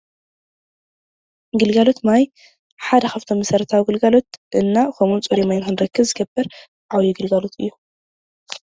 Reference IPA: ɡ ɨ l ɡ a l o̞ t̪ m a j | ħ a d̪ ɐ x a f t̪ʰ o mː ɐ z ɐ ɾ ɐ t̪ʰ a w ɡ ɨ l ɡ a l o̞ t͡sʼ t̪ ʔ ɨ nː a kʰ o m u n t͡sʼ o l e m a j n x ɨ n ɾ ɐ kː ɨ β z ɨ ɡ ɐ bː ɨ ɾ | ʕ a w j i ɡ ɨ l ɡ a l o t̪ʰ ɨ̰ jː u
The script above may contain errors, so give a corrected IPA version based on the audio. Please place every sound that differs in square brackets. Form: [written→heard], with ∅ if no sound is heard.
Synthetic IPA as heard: ɡ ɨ l ɡ a l o̞ t̪ m a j | ħ a d̪ ɐ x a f t̪ʰ o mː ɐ [z→s] ɐ ɾ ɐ t̪ʰ a w ɡ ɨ l ɡ a l o̞ [t͡sʼ→∅] t̪ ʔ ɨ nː a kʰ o m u n t͡sʼ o [l→ɾ] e m a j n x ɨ n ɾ ɐ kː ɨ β z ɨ ɡ ɐ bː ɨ ɾ | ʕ a w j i ɡ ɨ l ɡ a l o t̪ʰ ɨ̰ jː u